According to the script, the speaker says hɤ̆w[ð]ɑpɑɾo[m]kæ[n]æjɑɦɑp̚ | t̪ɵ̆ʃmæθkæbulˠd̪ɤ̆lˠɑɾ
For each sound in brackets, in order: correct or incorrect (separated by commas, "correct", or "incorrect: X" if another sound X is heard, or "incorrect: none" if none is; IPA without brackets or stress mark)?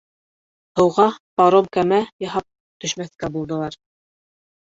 incorrect: ʁ, correct, incorrect: m